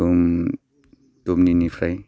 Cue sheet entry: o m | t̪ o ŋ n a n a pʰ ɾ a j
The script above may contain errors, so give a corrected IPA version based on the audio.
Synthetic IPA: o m | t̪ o m n i n i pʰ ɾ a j